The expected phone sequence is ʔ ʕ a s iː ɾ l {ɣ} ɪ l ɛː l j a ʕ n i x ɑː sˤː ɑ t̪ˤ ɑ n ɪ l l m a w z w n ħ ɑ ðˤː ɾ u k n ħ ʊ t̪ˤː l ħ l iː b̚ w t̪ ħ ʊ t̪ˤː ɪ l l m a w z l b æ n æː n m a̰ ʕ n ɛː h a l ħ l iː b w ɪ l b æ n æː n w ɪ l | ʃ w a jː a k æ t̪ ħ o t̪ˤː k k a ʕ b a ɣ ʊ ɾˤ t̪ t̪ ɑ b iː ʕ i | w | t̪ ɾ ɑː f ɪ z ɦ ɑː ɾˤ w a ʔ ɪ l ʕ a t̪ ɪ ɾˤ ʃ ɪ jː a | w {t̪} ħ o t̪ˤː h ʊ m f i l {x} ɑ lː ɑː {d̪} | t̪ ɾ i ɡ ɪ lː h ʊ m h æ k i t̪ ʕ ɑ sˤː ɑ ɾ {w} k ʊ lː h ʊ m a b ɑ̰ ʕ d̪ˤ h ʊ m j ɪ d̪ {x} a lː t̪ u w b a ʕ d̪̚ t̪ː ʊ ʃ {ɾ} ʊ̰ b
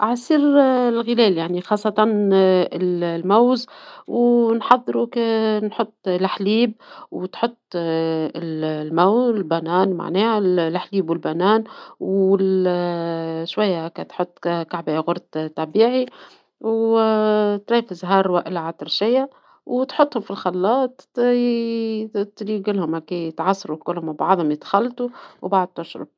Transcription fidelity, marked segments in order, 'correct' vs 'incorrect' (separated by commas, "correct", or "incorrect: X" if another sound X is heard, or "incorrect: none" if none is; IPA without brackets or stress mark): correct, correct, correct, incorrect: t̪, incorrect: u, correct, correct